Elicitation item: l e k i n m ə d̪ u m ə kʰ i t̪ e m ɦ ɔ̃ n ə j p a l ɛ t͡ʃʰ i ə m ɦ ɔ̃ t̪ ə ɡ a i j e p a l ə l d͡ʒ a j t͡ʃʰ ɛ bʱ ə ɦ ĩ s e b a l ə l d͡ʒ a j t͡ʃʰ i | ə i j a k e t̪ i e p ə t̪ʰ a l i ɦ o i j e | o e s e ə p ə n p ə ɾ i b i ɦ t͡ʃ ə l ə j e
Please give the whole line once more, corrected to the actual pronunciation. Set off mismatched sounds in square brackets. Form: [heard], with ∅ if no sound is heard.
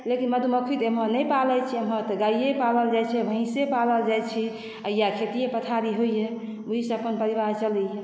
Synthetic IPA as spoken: l e k i n m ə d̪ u m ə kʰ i t̪ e m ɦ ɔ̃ n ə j p a l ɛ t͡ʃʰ i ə m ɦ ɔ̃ t̪ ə ɡ a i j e p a l ə l d͡ʒ a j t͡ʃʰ ɛ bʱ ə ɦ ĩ s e [p] a l ə l d͡ʒ a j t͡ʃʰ i | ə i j a [kʰ] e t̪ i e p ə t̪ʰ a [ɾ] i ɦ o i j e | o [i] s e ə p ə n p ə ɾ i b [a] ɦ t͡ʃ ə l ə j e

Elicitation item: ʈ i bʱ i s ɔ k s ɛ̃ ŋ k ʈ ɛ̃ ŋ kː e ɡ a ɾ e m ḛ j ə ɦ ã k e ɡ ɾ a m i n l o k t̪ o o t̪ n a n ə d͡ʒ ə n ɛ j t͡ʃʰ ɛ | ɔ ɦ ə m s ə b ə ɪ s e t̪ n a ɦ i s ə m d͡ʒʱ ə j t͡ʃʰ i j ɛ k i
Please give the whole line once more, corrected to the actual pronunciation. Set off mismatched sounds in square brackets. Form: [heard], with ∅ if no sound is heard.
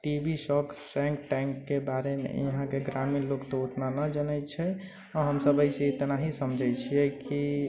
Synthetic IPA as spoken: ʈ i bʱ i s ɔ k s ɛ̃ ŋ k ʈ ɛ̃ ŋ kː e [b] a ɾ e m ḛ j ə ɦ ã k e ɡ ɾ a m i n l o k t̪ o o t̪ n a n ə d͡ʒ ə n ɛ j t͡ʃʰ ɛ | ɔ ɦ ə m s ə b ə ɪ s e t̪ n a ɦ i s ə m d͡ʒʱ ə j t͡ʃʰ i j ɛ k i

